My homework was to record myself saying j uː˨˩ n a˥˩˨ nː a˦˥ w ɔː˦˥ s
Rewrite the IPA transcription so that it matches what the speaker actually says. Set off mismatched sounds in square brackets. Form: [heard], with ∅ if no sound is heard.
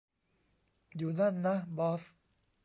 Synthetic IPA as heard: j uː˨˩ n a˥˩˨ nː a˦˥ [b] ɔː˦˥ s